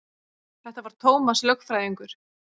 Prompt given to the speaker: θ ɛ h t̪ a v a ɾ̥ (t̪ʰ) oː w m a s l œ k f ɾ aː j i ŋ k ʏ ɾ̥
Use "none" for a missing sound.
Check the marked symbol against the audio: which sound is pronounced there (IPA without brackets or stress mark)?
t̪ʰ